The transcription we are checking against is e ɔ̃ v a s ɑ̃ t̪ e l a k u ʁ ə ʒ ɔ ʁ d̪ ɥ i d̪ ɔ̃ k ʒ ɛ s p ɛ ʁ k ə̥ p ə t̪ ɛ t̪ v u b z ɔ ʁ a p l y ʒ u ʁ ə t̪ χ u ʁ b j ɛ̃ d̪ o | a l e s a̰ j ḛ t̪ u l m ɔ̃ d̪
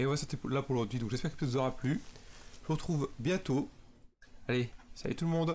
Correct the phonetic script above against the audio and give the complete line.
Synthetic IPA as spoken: e ɔ̃ v a s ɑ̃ t̪ e l a p u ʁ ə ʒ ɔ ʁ d̪ ɥ i d̪ ɔ̃ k ʒ ɛ s p ɛ ʁ k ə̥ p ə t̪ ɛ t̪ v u z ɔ ʁ a p l y ʒ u ʁ ə t̪ χ u v b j ɛ̃ t̪ o | a l e s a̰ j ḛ t̪ u l m ɔ̃ d̪